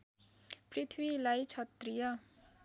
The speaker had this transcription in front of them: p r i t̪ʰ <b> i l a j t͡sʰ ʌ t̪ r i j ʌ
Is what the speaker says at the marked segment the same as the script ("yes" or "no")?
no